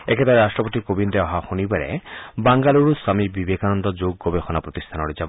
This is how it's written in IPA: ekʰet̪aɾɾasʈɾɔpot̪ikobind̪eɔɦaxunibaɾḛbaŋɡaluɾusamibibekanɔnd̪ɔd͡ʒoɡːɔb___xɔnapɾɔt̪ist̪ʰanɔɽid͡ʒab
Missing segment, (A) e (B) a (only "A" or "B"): A